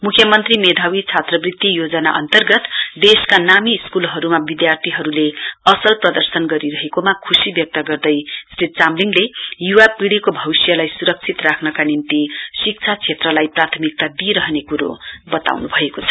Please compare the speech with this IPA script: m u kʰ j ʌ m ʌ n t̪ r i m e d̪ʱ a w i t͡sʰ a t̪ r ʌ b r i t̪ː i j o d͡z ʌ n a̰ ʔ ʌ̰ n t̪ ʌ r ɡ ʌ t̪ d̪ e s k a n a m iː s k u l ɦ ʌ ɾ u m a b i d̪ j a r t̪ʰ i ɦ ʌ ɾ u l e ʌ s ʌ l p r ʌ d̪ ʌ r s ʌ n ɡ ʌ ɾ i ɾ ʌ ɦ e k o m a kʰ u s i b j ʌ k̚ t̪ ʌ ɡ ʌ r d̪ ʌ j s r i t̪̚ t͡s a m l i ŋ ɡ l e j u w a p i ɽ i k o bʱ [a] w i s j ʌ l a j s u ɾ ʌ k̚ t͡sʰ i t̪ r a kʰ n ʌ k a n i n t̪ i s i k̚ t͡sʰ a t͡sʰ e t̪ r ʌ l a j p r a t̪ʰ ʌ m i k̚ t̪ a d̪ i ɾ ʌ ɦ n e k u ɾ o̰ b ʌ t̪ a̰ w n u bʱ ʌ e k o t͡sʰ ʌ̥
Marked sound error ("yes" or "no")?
yes